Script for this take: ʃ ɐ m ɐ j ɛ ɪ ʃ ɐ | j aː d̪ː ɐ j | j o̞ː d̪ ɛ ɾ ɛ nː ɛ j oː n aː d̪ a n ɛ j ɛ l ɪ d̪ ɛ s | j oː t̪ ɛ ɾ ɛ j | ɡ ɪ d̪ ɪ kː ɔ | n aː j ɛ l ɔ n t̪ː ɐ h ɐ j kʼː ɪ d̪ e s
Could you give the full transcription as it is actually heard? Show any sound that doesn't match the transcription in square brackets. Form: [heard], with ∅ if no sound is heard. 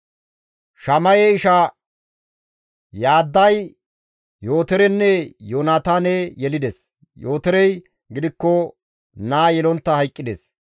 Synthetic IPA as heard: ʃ ɐ m ɐ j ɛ ɪ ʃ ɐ | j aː d̪ː ɐ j | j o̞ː [t̪] ɛ ɾ ɛ nː ɛ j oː n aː [t̪] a n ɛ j ɛ l ɪ d̪ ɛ s | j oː t̪ ɛ ɾ ɛ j | ɡ ɪ d̪ ɪ kː ɔ | n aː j ɛ l ɔ n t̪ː ɐ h ɐ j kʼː ɪ d̪ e s